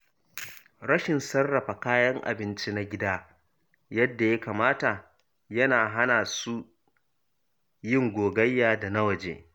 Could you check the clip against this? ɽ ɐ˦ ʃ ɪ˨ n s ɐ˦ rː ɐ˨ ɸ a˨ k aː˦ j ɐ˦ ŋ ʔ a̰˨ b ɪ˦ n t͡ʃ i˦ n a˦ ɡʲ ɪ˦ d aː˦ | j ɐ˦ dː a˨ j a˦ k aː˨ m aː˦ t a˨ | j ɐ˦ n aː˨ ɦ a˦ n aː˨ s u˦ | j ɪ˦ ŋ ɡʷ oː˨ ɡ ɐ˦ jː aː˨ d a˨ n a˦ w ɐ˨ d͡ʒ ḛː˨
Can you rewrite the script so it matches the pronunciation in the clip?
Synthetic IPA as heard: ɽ ɐ˦ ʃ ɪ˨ n s ɐ˦ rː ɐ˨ ɸ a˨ k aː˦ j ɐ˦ ŋ ʔ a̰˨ b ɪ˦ n t͡ʃ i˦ n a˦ ɡʲ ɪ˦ d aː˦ | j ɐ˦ dː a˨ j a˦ k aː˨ m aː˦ t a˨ | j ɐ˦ n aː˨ ɦ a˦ n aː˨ s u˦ | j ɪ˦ ŋ ɡʷ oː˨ ɡ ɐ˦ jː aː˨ d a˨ n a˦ w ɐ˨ d͡ʒ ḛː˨